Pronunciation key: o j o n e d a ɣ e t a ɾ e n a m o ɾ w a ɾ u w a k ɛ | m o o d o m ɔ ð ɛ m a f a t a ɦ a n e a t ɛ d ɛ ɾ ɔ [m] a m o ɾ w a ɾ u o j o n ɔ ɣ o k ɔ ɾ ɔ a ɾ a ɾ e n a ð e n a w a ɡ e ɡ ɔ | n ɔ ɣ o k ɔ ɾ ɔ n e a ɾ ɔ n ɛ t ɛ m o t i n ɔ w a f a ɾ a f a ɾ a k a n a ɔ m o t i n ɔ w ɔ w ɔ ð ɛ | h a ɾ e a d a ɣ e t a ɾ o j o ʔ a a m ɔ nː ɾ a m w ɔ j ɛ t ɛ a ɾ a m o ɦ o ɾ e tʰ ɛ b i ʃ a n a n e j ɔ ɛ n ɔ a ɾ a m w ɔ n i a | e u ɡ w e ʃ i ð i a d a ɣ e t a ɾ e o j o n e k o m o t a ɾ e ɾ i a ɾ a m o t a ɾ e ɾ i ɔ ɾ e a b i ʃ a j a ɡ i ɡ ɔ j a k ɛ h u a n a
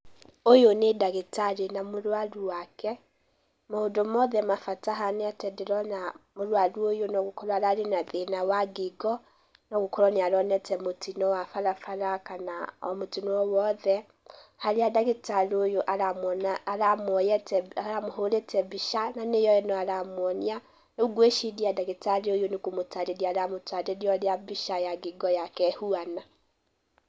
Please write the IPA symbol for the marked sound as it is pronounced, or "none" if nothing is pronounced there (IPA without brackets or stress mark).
n